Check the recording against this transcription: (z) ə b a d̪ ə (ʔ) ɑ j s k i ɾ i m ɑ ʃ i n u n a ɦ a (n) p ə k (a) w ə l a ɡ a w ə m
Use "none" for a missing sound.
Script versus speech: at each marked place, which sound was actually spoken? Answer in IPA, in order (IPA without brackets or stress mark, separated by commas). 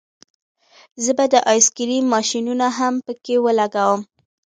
z, ʔ, m, e